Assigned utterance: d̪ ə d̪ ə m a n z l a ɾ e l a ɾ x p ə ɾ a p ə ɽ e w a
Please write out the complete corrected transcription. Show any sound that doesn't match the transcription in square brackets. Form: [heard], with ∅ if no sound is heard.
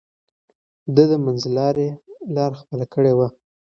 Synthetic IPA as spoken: d̪ ə d̪ ə m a n z l [ɑ] ɾ e l [ɑ] ɾ x p ə [l] a [k] ə ɽ e w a